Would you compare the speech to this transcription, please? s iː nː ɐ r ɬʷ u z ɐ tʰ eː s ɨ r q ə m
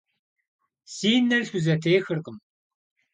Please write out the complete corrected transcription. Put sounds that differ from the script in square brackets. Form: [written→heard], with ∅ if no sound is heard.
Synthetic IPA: s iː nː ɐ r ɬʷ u z ɐ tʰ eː [s→x] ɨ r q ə m